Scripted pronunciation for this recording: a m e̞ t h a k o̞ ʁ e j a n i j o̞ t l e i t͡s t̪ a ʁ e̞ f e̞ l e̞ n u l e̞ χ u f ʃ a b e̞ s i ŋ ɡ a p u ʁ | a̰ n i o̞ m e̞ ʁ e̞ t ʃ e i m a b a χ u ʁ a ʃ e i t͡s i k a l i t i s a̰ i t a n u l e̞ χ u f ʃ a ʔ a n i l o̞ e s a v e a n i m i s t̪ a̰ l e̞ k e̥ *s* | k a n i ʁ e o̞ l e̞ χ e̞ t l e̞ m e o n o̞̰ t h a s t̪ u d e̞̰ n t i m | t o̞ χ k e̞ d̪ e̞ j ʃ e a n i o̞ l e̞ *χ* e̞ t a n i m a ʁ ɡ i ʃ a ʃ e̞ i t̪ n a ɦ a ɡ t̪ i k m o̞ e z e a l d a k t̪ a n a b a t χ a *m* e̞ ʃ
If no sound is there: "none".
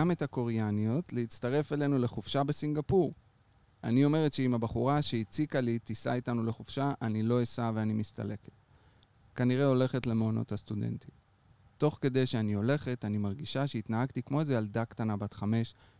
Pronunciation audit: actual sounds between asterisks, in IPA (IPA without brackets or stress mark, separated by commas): t, χ, m